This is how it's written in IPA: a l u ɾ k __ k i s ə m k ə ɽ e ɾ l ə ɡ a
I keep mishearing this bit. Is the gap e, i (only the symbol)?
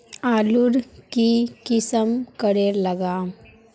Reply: i